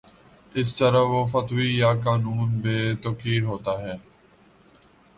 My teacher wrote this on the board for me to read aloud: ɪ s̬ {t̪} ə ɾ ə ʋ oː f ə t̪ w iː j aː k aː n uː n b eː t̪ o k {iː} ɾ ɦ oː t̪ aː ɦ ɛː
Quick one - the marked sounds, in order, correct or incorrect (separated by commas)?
correct, correct